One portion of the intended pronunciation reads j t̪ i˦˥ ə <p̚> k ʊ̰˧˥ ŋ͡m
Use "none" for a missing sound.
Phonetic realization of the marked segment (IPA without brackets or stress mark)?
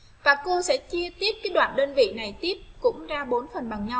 p̚